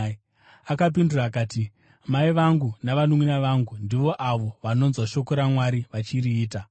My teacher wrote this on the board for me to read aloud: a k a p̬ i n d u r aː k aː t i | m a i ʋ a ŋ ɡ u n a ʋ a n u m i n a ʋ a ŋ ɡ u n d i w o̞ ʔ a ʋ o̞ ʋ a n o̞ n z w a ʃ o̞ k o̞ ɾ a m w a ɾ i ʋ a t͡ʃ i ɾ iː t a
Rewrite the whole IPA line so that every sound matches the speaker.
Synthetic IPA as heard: a k a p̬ i n d u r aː k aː t i | m a i ʋ a ŋ ɡ u n a ʋ a n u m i n a ʋ a ŋ ɡ u n d i ʋ o̞ ʔ a ʋ o̞ ʋ a n o̞ n z w a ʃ o̞ k o̞ ɾ a m w a ɾ i ʋ a t͡ʃ i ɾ iː t a